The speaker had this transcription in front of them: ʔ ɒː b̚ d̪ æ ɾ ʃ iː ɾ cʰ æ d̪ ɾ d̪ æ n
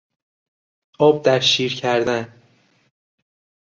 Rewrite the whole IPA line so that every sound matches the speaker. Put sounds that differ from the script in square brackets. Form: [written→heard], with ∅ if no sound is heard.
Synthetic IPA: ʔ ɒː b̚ d̪ æ ɾ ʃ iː ɾ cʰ æ [d̪→∅] ɾ d̪ æ n